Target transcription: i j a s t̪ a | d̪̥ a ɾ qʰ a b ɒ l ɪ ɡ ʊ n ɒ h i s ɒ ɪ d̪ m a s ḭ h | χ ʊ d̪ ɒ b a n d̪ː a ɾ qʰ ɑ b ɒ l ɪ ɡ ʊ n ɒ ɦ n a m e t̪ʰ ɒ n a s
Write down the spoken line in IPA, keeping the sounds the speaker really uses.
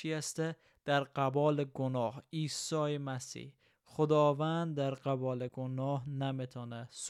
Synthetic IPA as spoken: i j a s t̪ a | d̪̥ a ɾ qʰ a b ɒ l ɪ ɡ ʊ n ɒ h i s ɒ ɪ m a s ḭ h | χ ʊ d̪ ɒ v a n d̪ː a ɾ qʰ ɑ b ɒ l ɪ ɡ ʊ n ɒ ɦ n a m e t̪ʰ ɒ n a s